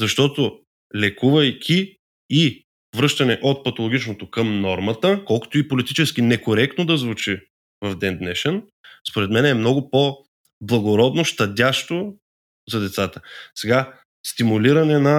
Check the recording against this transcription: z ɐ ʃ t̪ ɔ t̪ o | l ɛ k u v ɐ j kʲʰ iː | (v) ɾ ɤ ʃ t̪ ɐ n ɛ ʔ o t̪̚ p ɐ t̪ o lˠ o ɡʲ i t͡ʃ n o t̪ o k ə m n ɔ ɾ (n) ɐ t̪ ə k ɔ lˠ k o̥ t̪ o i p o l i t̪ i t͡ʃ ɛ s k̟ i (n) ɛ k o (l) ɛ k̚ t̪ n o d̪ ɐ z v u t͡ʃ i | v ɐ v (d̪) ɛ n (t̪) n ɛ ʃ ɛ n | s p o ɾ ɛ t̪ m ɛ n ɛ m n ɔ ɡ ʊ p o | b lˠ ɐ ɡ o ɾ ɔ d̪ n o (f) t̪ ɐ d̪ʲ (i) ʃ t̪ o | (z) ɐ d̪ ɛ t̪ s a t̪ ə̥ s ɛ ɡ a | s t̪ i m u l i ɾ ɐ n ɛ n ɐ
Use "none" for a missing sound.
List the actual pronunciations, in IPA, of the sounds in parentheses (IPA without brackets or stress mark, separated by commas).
v, m, n, ɾ, d̪, d̪, ʃ, a, z